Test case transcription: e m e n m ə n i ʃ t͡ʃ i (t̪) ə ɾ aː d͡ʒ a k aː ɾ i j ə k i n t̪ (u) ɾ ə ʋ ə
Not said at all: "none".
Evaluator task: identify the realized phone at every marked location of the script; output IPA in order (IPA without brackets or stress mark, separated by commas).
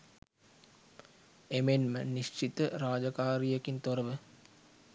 t̪, o